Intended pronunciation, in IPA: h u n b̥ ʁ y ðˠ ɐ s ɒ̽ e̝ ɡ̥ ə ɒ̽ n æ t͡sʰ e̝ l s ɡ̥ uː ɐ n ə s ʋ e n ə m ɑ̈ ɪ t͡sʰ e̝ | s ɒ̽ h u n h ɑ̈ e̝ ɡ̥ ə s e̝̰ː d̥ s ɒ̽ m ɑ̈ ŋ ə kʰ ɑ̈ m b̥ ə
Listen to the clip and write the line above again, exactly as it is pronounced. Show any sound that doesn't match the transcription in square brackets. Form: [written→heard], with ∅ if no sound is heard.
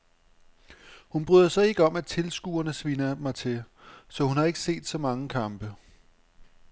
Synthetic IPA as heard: h u n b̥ ʁ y ðˠ ɐ s ɒ̽ e̝ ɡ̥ ə ɒ̽ [n→m] æ t͡sʰ e̝ l s ɡ̥ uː ɐ n ə s ʋ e n [ə→ɐ] m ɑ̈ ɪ t͡sʰ e̝ | s ɒ̽ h u n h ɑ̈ e̝ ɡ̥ ə s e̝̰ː d̥ s ɒ̽ m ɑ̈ ŋ ə kʰ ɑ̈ m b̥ ə